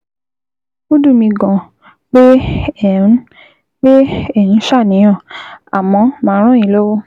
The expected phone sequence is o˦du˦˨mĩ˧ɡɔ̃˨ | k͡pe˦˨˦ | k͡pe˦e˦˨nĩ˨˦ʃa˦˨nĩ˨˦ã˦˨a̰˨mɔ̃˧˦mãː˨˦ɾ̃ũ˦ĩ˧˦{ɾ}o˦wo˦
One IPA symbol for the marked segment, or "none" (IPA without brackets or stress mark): l